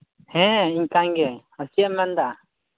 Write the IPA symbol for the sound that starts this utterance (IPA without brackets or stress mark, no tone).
h